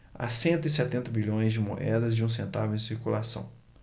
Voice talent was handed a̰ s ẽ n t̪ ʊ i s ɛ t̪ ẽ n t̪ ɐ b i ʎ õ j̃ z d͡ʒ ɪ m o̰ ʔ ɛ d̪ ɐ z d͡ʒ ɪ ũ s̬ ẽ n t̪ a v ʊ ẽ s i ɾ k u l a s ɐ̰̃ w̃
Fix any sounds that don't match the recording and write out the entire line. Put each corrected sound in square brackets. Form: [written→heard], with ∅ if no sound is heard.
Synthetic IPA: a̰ s ẽ n t̪ ʊ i s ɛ t̪ ẽ n t̪ ɐ b i ʎ õ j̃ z d͡ʒ ɪ m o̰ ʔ ɛ d̪ ɐ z d͡ʒ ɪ ũ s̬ ẽ n t̪ a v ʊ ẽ s i ɾ k u l a s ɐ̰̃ w̃

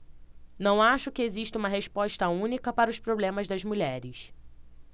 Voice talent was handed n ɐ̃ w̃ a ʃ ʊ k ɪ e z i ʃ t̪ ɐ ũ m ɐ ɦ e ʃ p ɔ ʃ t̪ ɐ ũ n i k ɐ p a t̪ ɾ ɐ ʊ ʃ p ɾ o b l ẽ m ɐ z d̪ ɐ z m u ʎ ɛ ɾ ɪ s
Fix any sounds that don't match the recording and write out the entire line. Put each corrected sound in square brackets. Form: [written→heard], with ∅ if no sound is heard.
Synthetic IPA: n ɐ̃ w̃ a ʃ ʊ k ɪ e z i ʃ t̪ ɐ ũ m ɐ ɦ e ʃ p ɔ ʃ t̪ ɐ ũ n i k ɐ p a [t̪→∅] ɾ ɐ ʊ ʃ p ɾ o b l ẽ m ɐ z d̪ ɐ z m u ʎ ɛ ɾ ɪ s

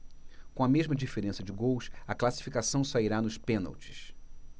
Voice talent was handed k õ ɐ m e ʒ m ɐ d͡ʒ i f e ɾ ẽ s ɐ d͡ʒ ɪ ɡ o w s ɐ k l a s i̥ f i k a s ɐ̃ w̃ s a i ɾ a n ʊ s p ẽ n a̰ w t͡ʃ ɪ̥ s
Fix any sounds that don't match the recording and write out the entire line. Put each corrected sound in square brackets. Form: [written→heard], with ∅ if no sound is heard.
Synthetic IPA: k õ ɐ m e ʒ m ɐ d͡ʒ i f e ɾ ẽ s ɐ d͡ʒ ɪ ɡ o w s ɐ k l a s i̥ f i k a s ɐ̃ w̃ s a i ɾ a n ʊ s p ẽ n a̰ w t͡ʃ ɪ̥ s

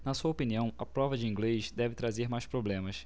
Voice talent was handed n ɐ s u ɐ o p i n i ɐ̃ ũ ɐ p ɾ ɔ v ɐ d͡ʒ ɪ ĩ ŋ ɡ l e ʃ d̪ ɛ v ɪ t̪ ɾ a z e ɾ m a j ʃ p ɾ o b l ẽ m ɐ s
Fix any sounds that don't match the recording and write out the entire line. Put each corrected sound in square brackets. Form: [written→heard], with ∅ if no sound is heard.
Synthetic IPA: n ɐ s u ɐ o p i n i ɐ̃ [ũ→w̃] ɐ p ɾ ɔ v ɐ d͡ʒ ɪ ĩ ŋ ɡ l e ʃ d̪ ɛ v ɪ t̪ ɾ a z e ɾ m a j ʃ p ɾ o b l ẽ m ɐ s

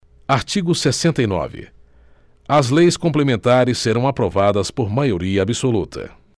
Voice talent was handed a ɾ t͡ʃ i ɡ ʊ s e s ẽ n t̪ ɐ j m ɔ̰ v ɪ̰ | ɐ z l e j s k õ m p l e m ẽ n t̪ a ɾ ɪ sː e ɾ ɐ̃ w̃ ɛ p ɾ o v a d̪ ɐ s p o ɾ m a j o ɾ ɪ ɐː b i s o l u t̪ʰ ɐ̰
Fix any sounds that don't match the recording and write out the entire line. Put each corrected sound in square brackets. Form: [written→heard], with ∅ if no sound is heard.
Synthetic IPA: a ɾ t͡ʃ i ɡ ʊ s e s ẽ n t̪ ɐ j [m→n] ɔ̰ v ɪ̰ | ɐ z l e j s k õ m p l e m ẽ n t̪ a ɾ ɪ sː e ɾ ɐ̃ w̃ [ɛ→a] p ɾ o v a d̪ ɐ s p o ɾ m a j o ɾ [ɪ→i] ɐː b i s o l u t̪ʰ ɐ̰

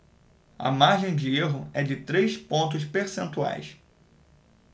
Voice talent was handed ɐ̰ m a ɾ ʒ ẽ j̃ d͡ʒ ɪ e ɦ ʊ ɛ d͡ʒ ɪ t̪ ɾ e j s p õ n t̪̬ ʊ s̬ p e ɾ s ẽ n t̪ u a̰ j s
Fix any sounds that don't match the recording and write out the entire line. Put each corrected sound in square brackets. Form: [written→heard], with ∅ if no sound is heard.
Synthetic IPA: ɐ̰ m a ɾ ʒ ẽ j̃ d͡ʒ ɪ e ɦ ʊ ɛ d͡ʒ ɪ t̪ ɾ e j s p õ n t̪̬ ʊ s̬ p e ɾ s ẽ n t̪ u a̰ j s

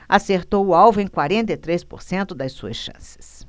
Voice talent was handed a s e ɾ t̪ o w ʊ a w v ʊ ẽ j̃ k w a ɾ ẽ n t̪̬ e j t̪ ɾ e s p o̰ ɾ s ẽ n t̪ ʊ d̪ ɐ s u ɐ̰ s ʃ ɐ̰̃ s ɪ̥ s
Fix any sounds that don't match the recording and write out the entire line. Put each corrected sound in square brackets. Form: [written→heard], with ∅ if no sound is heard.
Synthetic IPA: a s e ɾ t̪ o w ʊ a w v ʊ ẽ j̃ k w a ɾ ẽ n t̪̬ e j t̪ ɾ e s p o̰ ɾ s ẽ n t̪ ʊ d̪ ɐ s u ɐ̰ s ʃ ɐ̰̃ s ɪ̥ s

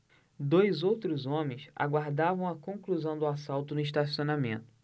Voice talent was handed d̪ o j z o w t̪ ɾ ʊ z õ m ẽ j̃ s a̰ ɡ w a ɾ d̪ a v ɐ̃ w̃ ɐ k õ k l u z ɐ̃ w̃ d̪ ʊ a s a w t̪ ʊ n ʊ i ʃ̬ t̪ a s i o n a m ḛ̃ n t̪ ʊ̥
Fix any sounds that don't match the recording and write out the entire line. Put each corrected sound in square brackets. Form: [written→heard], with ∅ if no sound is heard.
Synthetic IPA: d̪ o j z o w t̪ ɾ ʊ z õ m ẽ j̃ s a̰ ɡ w a ɾ d̪ a v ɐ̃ w̃ ɐ k õ k l u z ɐ̃ w̃ d̪ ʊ a s a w t̪ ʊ n ʊ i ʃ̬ t̪ a s i o n a m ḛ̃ n t̪ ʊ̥

